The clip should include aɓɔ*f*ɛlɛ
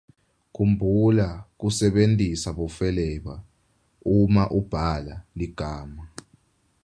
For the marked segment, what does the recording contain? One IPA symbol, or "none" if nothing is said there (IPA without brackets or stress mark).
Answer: f